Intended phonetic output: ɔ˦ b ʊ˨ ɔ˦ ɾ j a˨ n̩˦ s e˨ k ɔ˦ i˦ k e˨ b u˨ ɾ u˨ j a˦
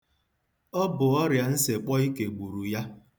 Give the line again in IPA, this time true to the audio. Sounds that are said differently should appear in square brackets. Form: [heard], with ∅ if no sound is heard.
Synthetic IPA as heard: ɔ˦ b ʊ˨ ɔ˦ ɾ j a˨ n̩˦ s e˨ [k͡p] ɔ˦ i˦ k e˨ [ɡ͡b] u˨ ɾ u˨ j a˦